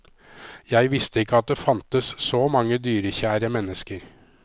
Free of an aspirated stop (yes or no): yes